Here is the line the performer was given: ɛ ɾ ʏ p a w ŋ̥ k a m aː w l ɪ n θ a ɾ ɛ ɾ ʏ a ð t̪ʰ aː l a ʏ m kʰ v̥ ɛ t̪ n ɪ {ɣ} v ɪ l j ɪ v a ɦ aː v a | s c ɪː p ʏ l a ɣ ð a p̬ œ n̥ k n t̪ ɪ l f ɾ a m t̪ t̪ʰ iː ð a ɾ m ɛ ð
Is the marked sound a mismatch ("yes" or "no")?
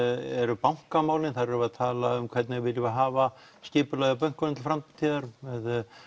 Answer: no